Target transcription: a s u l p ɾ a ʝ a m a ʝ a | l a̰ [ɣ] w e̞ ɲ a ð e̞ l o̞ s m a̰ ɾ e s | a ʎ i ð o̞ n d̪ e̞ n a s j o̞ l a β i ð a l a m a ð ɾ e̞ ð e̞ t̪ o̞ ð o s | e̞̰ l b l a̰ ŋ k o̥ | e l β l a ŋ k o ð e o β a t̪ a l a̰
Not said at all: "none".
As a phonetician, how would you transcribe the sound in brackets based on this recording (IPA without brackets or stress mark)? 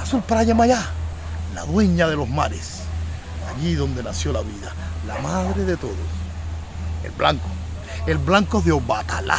ð